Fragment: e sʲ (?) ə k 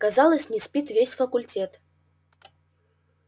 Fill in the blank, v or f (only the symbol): f